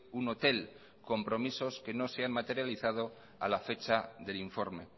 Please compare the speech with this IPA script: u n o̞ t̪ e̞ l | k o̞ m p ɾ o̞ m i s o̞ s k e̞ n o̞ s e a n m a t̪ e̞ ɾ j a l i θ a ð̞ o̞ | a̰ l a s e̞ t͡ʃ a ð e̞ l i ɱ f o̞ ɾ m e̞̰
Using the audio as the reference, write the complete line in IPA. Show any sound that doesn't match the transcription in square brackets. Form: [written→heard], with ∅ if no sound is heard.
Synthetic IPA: u n o̞ t̪ e̞ l | k o̞ m p ɾ o̞ m i s o̞ s k e̞ n o̞ s e a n m a t̪ e̞ ɾ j a l i θ a ð̞ o̞ | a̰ l a [s→f] e̞ t͡ʃ a ð e̞ l i ɱ f o̞ ɾ m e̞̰